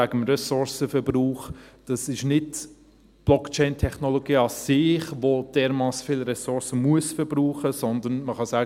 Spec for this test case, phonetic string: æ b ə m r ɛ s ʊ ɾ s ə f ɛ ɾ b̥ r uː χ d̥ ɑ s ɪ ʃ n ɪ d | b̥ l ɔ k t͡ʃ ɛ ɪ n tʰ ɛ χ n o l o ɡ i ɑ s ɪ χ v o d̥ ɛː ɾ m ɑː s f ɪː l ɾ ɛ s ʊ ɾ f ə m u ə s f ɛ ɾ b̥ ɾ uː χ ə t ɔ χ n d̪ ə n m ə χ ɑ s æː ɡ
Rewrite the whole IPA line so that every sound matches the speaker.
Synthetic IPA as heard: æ ɡ ə m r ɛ s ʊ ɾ s ə f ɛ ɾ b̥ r uː χ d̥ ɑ s ɪ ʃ n ɪ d | b̥ l ɔ k t͡ʃ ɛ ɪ n tʰ ɛ χ n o l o ɡ iː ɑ s ɪ χ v o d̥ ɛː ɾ m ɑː s f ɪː l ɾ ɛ s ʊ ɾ s ə m u ə s f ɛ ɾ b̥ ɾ uː χ ə s ɔ n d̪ ə n m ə χ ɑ s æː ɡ